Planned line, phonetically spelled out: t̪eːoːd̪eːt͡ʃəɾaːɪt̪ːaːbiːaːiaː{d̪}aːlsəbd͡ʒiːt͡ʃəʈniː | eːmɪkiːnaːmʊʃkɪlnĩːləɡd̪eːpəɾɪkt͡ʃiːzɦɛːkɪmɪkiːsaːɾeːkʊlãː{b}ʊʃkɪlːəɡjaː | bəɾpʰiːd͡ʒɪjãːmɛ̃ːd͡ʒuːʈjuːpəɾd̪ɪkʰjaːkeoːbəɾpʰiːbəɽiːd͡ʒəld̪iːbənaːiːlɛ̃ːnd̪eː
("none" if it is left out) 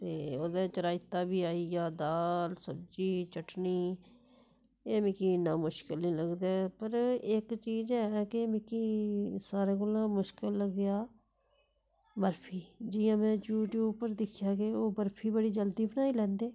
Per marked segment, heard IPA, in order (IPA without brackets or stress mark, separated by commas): d̪, m